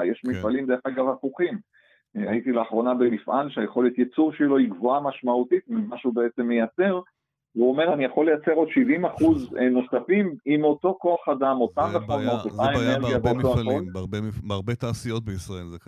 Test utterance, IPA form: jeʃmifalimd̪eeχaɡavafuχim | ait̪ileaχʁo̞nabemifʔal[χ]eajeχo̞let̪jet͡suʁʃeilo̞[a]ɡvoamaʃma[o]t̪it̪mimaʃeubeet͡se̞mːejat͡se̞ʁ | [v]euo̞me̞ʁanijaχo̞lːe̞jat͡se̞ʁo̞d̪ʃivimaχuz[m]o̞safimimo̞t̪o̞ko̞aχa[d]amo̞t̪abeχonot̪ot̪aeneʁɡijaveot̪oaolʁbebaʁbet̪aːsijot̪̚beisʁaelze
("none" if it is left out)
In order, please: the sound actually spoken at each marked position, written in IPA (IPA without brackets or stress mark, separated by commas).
ʃ, i, u, v, n, d